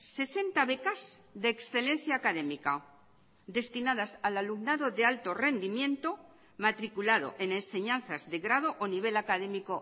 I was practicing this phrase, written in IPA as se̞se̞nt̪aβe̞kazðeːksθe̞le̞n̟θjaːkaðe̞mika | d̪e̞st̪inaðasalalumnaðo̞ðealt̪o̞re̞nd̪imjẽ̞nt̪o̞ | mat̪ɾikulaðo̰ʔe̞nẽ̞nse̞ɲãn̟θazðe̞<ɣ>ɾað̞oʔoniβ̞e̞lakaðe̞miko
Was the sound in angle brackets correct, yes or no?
yes